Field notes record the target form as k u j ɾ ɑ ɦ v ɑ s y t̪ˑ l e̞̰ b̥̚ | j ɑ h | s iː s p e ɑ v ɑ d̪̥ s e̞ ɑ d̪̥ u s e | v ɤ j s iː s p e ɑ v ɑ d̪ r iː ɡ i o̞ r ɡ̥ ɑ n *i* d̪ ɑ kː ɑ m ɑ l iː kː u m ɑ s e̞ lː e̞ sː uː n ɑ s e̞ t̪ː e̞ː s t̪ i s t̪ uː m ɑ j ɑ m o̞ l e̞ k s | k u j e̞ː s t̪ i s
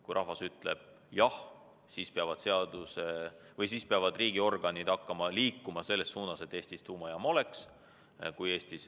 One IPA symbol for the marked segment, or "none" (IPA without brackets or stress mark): i